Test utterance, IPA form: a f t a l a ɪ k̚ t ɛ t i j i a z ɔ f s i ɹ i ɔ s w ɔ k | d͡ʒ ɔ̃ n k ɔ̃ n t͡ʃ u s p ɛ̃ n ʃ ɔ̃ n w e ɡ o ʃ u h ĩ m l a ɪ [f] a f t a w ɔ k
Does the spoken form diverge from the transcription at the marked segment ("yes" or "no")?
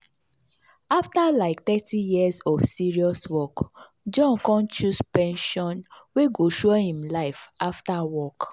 no